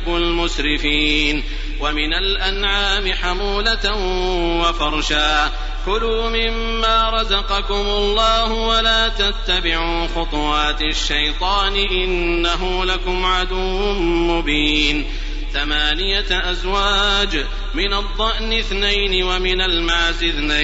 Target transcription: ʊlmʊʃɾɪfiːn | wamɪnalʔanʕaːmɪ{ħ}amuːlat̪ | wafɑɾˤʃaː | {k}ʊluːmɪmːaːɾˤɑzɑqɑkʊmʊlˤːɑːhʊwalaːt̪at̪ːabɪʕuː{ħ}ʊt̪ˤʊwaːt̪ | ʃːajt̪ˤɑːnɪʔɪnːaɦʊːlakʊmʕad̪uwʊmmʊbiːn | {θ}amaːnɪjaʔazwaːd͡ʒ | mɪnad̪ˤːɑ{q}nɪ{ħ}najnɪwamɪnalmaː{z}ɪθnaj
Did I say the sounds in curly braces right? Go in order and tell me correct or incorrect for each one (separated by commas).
correct, correct, incorrect, correct, incorrect, incorrect, correct